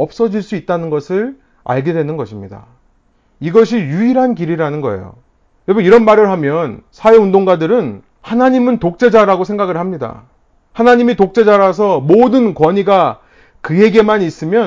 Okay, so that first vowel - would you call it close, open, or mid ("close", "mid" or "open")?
mid